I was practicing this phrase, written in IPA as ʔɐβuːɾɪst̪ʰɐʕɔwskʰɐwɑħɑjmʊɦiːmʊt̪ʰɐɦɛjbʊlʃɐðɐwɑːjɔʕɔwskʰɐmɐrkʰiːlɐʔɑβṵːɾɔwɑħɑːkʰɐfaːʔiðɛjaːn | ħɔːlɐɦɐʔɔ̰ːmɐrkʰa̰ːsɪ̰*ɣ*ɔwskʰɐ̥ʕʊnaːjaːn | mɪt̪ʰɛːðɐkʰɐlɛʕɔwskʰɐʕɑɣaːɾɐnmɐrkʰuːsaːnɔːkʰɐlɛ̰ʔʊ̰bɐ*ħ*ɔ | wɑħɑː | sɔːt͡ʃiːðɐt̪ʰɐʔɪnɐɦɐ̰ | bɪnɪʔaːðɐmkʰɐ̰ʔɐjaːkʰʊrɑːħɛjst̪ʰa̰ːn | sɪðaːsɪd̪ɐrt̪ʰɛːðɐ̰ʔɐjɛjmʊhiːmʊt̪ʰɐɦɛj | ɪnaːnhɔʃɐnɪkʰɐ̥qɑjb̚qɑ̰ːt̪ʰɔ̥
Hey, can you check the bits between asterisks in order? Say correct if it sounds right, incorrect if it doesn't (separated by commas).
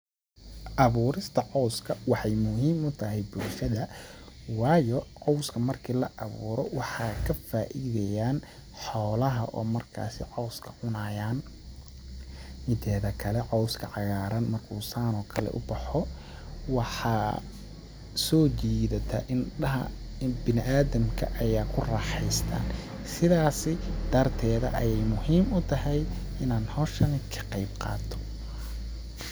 incorrect, correct